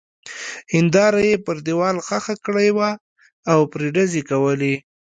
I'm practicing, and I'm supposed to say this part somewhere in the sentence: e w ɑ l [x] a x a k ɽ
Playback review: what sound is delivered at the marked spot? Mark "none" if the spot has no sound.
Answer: x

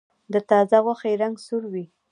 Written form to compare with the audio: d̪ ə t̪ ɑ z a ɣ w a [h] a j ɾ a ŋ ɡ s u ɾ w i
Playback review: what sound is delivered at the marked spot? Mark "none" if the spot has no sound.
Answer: x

